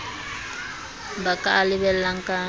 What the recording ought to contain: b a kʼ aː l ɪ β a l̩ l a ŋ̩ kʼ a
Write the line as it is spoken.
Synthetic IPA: b a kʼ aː l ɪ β ɛ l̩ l a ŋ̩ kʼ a